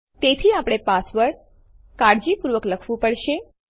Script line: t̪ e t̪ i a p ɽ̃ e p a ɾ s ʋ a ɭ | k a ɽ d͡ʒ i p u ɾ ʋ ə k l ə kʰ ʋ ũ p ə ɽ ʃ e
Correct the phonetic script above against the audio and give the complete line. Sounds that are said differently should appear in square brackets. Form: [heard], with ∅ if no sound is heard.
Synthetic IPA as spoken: t̪ e [t̪ʰ] i a p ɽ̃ e p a [∅] s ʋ [ə] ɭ | k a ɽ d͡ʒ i p u ɾ ʋ ə k l ə kʰ ʋ ũ p ə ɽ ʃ e